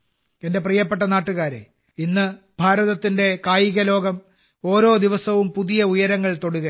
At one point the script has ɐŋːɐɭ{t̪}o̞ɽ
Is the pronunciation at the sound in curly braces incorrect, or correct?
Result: correct